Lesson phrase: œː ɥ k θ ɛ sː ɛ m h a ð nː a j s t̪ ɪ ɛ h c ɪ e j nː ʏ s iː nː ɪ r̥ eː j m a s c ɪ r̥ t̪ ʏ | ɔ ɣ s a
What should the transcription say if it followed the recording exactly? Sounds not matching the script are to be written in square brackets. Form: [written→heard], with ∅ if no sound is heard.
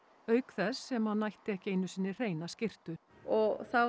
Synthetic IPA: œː ɥ k θ ɛ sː ɛ m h a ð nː a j [s→h] t̪ ɪ ɛ h c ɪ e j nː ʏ s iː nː ɪ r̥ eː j [m→n] a s c ɪ r̥ t̪ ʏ | ɔ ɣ [s→θ] a